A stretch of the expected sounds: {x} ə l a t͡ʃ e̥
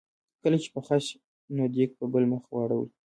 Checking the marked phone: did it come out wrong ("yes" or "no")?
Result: yes